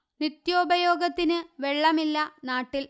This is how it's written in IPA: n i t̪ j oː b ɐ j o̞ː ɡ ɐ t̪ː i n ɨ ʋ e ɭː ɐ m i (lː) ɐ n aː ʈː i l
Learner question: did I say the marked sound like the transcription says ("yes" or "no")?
yes